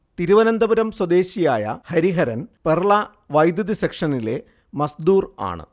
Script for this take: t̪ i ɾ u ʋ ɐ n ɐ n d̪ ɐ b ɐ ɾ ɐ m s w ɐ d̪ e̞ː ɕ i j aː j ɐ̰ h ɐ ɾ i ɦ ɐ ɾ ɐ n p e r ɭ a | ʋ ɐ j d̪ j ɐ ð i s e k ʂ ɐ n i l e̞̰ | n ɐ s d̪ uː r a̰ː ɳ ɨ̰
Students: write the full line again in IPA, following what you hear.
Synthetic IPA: t̪ i ɾ u ʋ ɐ n ɐ n d̪ ɐ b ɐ ɾ ɐ m s w ɐ d̪ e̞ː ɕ i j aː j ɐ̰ h ɐ ɾ i ɦ ɐ ɾ ɐ n p e r ɭ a | ʋ ɐ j d̪ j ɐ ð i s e k ʂ ɐ n i l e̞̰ | m ɐ s d̪ uː r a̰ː ɳ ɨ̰